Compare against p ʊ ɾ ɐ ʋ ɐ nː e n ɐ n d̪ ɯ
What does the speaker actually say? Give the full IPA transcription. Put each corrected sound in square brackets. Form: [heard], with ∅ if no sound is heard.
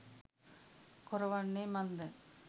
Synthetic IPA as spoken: [k] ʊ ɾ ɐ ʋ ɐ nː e [m] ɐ n d̪ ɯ